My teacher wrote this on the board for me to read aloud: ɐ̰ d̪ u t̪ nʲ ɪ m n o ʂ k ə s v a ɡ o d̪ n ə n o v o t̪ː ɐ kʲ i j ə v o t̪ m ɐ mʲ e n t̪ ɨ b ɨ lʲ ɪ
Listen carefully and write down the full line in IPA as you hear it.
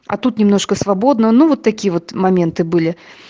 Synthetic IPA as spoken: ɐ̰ t̪ u t̪ nʲ ɪ m n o ʂ k ə s v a b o d̪ n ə n u v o t̪ː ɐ kʲ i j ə v o t̪ m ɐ mʲ e n t̪ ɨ b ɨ lʲ ɪ